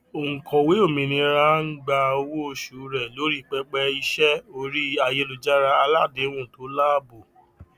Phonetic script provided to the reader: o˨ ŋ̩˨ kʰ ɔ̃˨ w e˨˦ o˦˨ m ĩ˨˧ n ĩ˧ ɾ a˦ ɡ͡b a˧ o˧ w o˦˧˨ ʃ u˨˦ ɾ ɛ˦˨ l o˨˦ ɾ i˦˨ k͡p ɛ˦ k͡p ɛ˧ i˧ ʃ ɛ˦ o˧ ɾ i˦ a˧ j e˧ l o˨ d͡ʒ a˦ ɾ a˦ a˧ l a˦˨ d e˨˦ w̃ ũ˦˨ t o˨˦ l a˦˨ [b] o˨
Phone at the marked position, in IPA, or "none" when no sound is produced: b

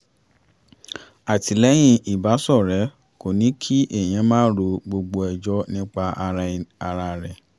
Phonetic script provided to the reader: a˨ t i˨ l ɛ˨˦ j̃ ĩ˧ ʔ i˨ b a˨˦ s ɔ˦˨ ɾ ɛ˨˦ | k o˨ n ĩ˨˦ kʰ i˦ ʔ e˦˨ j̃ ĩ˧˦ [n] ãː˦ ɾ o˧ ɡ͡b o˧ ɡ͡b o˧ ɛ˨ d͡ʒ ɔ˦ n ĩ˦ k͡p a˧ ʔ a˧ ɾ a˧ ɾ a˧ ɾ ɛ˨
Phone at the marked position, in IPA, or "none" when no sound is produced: m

